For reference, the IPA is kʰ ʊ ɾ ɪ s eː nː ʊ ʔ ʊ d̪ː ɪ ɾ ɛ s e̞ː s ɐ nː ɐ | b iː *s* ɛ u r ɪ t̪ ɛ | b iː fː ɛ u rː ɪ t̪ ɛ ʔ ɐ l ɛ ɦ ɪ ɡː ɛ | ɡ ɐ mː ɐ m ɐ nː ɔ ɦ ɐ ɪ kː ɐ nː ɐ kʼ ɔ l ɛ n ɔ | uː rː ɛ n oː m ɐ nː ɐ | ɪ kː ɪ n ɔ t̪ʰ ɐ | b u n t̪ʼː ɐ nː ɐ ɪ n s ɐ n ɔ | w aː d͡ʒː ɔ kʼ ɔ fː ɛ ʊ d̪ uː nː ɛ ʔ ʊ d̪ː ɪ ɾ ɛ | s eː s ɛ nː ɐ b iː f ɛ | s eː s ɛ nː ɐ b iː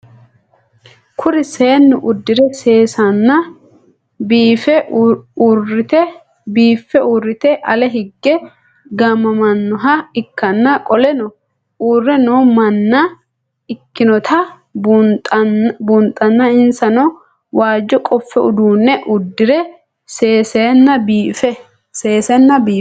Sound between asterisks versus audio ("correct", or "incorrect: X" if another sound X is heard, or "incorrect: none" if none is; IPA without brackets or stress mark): incorrect: f